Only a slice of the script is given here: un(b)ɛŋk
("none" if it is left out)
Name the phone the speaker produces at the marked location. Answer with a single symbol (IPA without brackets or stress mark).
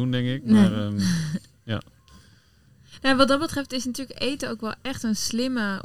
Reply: d